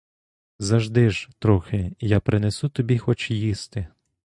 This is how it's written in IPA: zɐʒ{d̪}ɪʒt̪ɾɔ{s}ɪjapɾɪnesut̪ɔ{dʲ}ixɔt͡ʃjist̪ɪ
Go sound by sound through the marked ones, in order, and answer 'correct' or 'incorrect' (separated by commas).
correct, incorrect, incorrect